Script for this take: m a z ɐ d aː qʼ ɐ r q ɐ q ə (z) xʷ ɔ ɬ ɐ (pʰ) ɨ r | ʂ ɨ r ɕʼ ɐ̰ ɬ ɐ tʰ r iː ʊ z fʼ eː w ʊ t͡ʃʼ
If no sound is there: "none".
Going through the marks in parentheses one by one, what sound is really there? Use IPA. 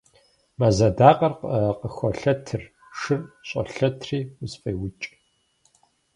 none, tʰ

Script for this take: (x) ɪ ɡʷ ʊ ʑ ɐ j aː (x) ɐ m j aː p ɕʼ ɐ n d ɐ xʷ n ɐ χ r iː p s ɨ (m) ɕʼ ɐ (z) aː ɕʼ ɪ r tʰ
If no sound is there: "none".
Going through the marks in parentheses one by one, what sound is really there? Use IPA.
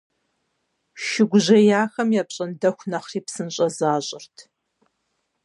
ʃ, x, n, z

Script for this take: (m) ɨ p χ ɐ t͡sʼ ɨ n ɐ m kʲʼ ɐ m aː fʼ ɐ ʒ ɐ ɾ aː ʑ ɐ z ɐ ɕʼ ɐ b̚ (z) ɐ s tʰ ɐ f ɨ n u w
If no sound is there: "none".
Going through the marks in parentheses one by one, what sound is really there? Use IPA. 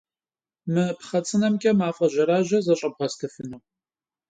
m, ʁ

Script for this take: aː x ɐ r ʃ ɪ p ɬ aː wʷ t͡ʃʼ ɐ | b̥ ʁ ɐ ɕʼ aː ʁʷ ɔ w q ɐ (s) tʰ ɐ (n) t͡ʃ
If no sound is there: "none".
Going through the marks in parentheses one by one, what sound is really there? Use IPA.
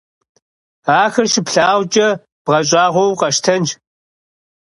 ʃ, n

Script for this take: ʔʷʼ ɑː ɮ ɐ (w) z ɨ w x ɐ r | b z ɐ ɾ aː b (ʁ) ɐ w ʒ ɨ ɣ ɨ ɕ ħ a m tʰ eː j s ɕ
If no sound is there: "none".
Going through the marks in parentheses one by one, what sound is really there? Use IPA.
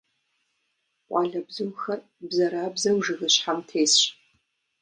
b, z

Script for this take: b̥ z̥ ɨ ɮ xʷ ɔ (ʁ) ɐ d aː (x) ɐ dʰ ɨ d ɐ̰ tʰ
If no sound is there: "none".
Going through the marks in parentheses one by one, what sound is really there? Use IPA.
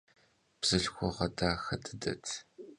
ʁ, x

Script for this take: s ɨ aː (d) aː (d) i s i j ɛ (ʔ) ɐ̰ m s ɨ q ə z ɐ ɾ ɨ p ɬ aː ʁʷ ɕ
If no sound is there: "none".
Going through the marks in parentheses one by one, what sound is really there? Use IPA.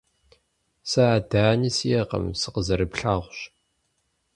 d, n, q

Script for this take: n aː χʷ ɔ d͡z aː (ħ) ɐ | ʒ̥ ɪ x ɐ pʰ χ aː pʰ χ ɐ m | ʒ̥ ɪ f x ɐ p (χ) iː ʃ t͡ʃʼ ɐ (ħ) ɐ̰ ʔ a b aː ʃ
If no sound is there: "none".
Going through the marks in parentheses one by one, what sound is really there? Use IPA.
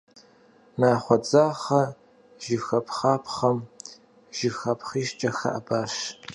χ, χ, x

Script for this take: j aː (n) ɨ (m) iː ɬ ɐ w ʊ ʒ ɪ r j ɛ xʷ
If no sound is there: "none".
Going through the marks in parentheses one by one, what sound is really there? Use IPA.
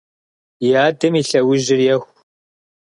d, m

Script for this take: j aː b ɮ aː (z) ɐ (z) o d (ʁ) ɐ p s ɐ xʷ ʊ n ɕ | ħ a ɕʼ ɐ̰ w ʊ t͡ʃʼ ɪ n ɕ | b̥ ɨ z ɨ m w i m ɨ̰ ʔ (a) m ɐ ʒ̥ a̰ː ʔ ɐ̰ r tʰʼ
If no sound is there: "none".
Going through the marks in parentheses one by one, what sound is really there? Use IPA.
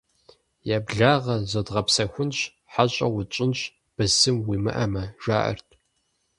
ʁ, z, ʁ, ɐ

